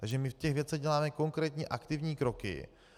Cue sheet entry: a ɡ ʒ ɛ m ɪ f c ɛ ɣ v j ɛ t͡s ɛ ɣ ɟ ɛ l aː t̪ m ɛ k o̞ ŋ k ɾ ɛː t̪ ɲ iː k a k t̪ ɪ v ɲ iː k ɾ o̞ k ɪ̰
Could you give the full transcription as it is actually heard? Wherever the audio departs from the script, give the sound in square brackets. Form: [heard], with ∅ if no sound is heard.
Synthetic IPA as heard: a ɡ ʒ ɛ m ɪ f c ɛ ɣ v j ɛ t͡s ɛ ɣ ɟ ɛ l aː [∅] m ɛ k o̞ ŋ k ɾ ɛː t̪ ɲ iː [ʔ] a k t̪ ɪ v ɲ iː k ɾ o̞ k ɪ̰